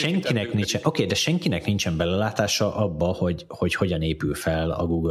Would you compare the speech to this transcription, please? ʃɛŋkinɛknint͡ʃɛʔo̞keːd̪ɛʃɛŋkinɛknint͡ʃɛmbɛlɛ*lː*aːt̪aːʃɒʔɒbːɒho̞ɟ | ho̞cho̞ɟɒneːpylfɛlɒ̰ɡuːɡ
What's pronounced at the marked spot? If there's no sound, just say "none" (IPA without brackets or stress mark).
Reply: l